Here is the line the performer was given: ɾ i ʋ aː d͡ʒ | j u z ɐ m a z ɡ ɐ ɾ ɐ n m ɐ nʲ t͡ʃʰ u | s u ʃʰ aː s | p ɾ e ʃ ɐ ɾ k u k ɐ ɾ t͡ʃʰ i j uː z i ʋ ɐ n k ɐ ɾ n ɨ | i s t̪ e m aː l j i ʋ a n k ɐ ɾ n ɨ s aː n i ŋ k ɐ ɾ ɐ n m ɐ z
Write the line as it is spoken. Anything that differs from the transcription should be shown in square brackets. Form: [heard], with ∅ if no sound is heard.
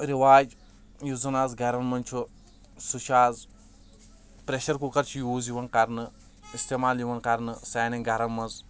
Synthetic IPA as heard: ɾ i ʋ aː d͡ʒ | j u z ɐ [n] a z ɡ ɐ ɾ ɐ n m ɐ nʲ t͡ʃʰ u | s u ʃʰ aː [z] | p ɾ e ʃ ɐ ɾ k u k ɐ ɾ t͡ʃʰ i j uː z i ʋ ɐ n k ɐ ɾ n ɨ | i s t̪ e m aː l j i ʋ [ɐ] n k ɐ ɾ n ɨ s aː n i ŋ [ɡ] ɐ ɾ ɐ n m ɐ z